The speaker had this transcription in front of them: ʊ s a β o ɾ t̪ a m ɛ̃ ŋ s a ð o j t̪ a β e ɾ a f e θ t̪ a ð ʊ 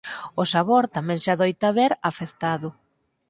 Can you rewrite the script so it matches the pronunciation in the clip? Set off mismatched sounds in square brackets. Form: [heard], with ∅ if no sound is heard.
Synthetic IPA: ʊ s a β o ɾ t̪ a m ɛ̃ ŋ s a ð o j t̪ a β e ɾ a f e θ t̪ a ð ʊ